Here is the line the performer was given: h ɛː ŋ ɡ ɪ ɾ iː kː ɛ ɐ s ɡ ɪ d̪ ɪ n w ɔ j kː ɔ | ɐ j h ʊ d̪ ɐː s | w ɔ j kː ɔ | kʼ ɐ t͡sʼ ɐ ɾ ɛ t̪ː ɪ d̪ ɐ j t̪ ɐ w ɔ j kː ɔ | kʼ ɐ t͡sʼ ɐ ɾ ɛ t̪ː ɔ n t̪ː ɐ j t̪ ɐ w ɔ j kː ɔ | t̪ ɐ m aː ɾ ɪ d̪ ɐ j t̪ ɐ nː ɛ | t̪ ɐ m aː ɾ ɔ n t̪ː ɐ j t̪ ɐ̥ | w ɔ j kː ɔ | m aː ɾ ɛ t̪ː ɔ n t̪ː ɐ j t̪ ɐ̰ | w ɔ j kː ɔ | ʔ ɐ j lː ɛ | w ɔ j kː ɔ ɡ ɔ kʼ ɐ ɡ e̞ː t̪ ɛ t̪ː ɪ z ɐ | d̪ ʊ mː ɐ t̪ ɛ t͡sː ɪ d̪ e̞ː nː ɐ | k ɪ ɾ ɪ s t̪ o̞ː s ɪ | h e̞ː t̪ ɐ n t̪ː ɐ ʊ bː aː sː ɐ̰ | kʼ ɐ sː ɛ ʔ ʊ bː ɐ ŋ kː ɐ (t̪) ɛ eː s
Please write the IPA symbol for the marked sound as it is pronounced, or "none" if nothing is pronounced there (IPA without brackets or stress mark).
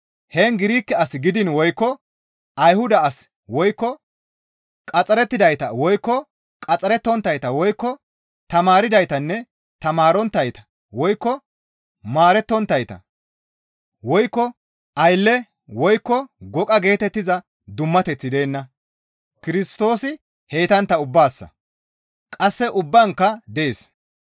d̪